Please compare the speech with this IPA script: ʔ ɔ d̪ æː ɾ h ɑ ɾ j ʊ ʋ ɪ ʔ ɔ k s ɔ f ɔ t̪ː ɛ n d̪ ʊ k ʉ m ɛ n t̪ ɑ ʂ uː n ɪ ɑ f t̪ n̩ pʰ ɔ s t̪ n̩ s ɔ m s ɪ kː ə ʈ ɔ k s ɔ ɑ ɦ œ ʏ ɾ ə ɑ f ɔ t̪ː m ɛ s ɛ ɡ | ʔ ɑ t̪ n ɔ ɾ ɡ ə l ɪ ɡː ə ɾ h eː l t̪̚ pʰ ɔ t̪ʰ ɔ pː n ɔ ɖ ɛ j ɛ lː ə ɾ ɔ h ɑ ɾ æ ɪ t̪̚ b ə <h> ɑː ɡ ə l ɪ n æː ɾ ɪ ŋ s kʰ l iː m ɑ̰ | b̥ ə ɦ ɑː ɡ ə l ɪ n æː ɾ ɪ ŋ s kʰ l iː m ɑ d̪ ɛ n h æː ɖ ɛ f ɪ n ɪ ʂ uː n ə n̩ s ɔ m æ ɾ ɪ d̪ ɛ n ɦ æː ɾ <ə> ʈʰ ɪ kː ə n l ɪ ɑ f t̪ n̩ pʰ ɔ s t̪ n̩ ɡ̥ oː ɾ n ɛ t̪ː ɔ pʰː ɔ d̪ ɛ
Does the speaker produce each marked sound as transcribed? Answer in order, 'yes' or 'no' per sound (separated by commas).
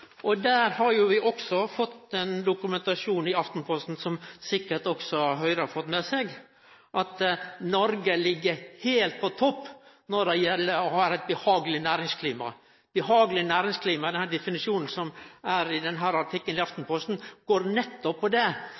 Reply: yes, no